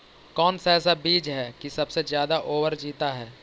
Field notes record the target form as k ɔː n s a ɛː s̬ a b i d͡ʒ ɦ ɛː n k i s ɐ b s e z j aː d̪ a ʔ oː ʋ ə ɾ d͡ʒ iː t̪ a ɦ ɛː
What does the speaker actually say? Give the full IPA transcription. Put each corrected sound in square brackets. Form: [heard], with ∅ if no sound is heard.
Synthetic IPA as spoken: k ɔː n s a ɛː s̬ a b [iː] d͡ʒ ɦ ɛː [∅] k i s ɐ b s e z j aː d̪ a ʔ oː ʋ ə ɾ d͡ʒ iː t̪ a ɦ ɛː

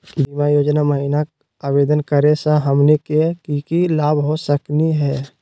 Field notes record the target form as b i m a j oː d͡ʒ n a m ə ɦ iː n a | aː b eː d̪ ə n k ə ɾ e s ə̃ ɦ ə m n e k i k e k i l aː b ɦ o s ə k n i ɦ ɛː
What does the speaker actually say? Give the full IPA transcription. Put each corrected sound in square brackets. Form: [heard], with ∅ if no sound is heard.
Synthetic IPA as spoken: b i m a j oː d͡ʒ n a m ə ɦ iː n a | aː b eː d̪ ə n k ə ɾ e s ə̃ ɦ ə m n e k [e] k [i] k i l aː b ɦ o s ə k n i ɦ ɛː

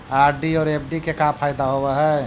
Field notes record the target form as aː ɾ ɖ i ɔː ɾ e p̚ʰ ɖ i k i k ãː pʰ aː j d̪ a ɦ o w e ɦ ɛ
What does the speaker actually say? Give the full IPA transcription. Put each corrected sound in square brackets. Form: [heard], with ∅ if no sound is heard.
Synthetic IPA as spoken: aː ɾ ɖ i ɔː ɾ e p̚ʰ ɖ i k [e] k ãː pʰ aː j d̪ a ɦ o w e ɦ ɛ

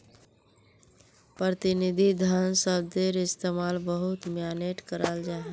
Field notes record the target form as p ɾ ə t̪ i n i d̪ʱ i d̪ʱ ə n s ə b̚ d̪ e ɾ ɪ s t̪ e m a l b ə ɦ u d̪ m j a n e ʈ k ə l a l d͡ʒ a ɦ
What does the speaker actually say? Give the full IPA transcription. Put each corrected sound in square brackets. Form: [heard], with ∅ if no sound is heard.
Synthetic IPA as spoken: p ɾ ə t̪ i n i d̪ʱ i d̪ʱ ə n s ə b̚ d̪ e ɾ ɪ s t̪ e m a l b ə ɦ u [t̪] m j a n e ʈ k ə [ɾ] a l d͡ʒ a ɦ

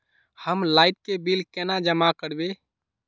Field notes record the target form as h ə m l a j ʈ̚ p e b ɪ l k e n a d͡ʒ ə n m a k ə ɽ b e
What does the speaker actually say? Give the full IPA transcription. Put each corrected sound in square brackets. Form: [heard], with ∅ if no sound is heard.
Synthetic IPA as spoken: h ə m l a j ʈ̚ [k] e b [i] l k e n a d͡ʒ ə [∅] m a k ə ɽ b e

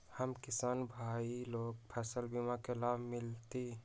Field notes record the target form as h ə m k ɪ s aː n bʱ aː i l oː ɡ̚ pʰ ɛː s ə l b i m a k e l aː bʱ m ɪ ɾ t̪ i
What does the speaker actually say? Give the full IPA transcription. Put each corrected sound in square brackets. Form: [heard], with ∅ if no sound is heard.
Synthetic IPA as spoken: h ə m k ɪ s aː n bʱ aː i l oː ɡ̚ pʰ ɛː s ə l b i m a k e l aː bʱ m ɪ [l] t̪ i

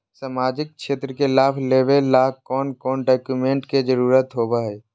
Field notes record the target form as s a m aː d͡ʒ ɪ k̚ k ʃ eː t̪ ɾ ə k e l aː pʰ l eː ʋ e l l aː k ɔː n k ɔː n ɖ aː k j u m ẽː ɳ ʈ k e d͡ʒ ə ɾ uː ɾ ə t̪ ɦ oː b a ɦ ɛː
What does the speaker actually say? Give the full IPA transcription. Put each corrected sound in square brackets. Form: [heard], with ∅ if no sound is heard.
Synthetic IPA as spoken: s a m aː d͡ʒ ɪ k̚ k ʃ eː t̪ ɾ ə k e l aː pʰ l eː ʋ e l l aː k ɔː n k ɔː n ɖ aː k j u m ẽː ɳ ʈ k e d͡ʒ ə ɾ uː ɾ ə t̪ ɦ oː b a ɦ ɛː

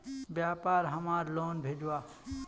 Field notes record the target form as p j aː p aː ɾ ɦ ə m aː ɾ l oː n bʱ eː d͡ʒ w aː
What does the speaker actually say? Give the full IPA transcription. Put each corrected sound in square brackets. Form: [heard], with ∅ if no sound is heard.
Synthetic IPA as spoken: [b] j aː p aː ɾ ɦ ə m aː ɾ l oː n bʱ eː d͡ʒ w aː

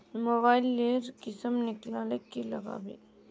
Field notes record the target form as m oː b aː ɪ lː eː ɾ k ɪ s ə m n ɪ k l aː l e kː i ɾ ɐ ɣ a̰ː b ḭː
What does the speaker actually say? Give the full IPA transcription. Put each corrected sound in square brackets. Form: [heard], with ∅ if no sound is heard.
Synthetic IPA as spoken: m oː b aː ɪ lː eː ɾ k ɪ s ə m n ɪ k l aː l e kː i [l] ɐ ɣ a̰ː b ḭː

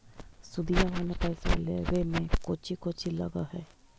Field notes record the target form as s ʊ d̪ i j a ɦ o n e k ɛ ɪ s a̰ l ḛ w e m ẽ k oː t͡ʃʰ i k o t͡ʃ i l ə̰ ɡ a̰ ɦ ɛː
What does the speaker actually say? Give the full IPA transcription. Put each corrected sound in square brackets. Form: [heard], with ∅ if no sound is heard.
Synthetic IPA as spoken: s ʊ d̪ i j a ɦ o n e [p] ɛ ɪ s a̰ l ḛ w e m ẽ k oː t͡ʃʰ i k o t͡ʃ i l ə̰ ɡ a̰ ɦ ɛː

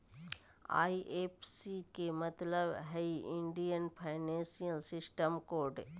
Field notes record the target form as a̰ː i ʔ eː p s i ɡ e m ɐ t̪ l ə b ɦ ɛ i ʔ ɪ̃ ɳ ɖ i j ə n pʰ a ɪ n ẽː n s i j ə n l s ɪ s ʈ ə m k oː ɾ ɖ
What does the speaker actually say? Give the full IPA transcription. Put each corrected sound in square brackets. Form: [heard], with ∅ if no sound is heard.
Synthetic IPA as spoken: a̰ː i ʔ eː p s i [k] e m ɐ t̪ l ə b ɦ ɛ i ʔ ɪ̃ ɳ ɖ i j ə n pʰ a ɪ n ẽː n s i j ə [∅] l s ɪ s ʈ ə m k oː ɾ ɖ

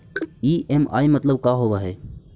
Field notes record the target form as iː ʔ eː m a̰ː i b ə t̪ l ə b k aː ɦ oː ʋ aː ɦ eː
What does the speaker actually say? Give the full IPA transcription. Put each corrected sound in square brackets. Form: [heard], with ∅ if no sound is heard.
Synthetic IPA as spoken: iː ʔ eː m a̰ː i [m] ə t̪ l ə b k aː ɦ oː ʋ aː ɦ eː

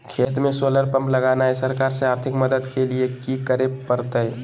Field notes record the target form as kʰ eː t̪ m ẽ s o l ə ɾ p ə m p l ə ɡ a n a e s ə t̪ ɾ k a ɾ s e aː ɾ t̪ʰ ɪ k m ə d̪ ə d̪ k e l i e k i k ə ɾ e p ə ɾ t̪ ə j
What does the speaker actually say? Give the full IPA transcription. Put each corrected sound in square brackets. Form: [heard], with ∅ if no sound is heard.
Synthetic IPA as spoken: kʰ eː t̪ m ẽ s o l ə ɾ p ə m p l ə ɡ a n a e s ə [∅] ɾ k a ɾ s e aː ɾ t̪ʰ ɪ k m ə d̪ ə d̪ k e l i e k i k ə ɾ e p ə ɾ t̪ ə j

